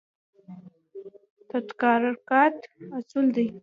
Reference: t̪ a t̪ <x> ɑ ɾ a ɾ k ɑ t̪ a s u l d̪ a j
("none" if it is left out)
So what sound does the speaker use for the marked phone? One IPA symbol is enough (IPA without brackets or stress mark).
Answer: k